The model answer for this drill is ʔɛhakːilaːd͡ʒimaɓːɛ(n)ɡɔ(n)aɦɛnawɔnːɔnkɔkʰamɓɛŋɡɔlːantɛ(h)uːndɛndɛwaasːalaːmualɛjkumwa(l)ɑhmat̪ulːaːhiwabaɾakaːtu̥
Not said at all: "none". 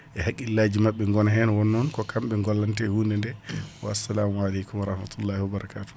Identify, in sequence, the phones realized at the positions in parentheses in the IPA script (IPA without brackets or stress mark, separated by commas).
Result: ŋ, n, h, ɾ